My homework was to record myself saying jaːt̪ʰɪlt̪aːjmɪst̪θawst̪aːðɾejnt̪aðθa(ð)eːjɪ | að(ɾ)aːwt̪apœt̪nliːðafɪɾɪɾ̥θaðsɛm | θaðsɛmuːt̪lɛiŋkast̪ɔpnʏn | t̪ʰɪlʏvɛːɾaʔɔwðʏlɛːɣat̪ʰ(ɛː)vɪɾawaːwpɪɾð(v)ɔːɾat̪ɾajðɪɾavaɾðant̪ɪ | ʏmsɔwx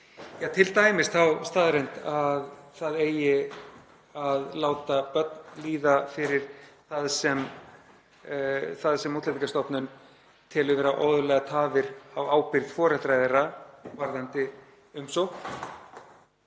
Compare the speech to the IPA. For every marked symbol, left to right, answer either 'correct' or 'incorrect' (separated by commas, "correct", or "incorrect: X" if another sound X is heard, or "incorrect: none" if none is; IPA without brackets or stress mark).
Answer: correct, incorrect: l, incorrect: aː, incorrect: f